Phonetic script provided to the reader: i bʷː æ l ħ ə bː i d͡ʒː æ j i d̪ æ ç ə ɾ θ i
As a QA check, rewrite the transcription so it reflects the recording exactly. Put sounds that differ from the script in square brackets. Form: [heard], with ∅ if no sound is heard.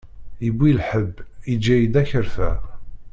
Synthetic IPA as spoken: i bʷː [i] l ħ ə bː i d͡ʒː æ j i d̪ æ ç ə ɾ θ [æ]